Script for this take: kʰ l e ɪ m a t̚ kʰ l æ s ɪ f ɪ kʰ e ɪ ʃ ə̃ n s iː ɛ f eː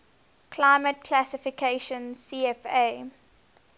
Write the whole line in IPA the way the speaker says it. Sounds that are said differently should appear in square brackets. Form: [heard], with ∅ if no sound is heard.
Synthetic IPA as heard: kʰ l [a] ɪ m [ə] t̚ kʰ l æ s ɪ f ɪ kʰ e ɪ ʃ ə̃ n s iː ɛ f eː